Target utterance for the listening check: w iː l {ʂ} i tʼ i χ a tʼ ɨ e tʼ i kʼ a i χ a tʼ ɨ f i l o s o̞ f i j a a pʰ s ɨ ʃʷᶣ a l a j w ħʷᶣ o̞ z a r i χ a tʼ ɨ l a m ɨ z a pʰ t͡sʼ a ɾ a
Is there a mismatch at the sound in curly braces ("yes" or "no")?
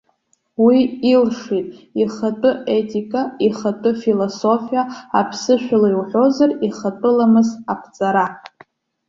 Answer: no